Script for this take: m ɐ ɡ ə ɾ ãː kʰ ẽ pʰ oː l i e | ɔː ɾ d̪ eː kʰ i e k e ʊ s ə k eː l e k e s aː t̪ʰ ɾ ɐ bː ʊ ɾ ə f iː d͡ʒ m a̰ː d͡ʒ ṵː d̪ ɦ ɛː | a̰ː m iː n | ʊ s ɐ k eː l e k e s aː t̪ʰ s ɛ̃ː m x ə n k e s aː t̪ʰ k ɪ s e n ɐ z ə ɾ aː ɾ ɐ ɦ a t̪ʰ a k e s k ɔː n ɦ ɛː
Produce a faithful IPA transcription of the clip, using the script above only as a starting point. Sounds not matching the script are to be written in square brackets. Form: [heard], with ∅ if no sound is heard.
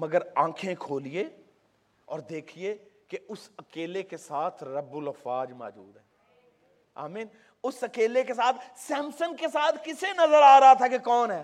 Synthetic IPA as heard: m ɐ ɡ ə ɾ ãː kʰ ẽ [kʰ] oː l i e | ɔː ɾ d̪ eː kʰ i e k e ʊ s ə k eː l e k e s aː t̪ʰ ɾ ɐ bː ʊ [l] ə f [aː] d͡ʒ m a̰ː d͡ʒ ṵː d̪ ɦ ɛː | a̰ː m iː n | ʊ s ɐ k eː l e k e s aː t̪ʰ s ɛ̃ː m [s] ə n k e s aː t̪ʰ k ɪ s e n ɐ z ə ɾ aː ɾ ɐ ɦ a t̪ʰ a k e [∅] k ɔː n ɦ ɛː